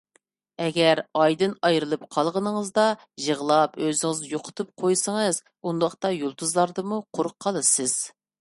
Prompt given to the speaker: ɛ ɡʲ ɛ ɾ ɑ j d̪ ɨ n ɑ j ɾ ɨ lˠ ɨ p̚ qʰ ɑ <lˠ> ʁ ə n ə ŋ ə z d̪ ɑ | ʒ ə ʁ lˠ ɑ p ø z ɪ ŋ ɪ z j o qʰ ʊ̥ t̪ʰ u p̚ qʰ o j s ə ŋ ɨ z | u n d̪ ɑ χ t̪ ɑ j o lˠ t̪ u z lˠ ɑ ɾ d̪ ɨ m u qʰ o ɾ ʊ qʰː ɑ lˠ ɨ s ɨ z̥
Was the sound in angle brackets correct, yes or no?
yes